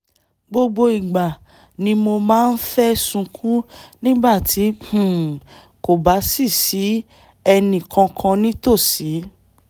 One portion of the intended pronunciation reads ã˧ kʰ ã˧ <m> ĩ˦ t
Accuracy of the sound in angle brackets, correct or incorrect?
incorrect